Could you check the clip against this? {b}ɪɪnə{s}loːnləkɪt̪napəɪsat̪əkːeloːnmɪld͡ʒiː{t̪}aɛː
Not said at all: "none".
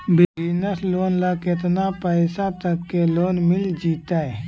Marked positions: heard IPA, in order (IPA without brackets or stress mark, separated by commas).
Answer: b, s, t̪